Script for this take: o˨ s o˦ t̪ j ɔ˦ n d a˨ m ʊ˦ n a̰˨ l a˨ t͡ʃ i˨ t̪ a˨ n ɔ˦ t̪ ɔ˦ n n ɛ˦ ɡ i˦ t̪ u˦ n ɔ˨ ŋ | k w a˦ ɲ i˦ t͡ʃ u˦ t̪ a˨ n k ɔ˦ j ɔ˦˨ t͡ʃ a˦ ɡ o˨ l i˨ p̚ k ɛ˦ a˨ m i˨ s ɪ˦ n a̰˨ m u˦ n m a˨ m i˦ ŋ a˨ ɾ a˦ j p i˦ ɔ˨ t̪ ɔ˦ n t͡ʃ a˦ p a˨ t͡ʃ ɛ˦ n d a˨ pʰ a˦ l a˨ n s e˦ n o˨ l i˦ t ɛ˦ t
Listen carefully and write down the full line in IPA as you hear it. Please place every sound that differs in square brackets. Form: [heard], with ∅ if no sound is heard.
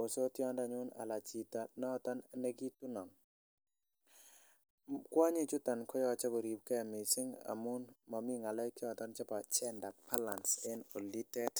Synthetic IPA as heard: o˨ s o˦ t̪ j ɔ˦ n d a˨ [ɲ] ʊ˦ n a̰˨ l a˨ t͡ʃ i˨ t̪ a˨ n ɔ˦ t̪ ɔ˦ n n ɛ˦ ɡ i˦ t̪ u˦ n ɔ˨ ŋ | k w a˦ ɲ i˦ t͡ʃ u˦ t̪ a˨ n k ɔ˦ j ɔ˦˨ t͡ʃ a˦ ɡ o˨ [ɾ] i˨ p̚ k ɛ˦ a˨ m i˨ s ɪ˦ [ŋ] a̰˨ m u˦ n m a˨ m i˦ ŋ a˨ [l] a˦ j [k] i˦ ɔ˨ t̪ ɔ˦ n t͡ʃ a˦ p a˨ t͡ʃ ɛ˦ n d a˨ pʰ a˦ l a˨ n s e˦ n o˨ l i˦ t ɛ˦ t

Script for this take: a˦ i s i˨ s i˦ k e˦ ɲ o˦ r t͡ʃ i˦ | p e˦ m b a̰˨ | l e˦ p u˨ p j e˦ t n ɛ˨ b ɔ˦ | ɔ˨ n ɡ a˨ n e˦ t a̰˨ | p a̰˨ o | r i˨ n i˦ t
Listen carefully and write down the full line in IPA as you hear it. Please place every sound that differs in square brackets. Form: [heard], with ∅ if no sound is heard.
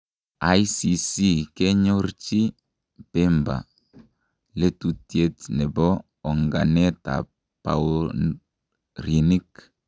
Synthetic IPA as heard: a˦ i s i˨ s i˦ k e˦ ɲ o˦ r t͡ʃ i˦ | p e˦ m b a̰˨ | l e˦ [t] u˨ [t] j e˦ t n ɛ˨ b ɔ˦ | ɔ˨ [ŋ] ɡ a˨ n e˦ t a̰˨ | p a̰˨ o | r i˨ n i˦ [k]

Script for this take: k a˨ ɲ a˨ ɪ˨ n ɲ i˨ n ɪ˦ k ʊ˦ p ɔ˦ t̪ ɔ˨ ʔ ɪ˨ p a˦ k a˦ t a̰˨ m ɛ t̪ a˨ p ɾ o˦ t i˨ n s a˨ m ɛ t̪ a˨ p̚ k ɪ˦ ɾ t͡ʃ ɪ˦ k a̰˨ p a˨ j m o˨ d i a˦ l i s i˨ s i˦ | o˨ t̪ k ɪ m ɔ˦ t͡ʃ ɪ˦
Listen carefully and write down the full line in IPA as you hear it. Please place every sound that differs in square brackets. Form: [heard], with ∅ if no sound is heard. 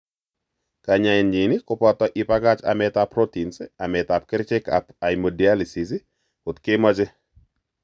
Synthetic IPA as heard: k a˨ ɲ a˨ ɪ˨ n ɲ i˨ n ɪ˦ k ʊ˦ p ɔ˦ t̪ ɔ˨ ʔ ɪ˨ p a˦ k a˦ [t͡ʃ] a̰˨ m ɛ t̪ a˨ p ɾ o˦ t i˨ n s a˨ m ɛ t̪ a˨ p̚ k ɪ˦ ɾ t͡ʃ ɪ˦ k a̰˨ p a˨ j m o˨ d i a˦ l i s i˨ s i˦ | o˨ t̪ k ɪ m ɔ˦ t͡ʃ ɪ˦

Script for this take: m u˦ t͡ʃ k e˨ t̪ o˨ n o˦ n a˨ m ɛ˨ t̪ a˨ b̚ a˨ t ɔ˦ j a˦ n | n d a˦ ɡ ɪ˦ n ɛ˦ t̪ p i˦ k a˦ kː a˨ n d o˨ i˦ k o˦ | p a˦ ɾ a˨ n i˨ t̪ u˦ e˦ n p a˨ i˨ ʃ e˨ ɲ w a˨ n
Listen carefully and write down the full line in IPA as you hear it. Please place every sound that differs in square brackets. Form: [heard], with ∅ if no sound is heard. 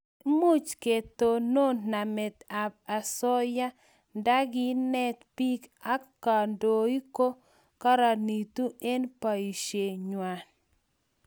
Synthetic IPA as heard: m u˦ t͡ʃ k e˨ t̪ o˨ n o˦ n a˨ m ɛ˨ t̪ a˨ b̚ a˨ [s] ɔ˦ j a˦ [∅] | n d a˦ ɡ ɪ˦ n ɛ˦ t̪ p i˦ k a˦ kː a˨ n d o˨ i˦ k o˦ | [k] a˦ ɾ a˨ n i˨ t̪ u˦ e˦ n p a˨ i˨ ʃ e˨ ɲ w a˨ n

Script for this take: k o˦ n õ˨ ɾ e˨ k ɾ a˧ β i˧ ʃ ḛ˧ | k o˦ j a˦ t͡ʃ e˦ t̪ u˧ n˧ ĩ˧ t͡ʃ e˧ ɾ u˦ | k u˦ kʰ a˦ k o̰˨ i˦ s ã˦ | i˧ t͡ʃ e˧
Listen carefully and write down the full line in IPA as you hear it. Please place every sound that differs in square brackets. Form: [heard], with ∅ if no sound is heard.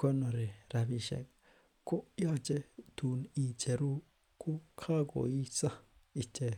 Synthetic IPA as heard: k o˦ n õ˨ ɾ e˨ [∅] ɾ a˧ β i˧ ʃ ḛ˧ | k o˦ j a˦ t͡ʃ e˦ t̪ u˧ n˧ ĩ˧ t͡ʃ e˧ ɾ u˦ | k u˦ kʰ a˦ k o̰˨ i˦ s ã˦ | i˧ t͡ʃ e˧

